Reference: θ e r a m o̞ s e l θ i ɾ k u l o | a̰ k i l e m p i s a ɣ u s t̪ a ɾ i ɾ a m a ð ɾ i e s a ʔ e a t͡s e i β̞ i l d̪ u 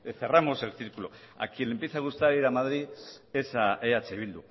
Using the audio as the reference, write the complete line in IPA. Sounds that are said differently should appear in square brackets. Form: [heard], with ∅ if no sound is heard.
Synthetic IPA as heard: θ e r a m o̞ s e l θ i ɾ k u l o | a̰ k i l e m p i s a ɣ u s t̪ a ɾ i ɾ a m a ð ɾ i e s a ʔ e a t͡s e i β̞ i l d̪ u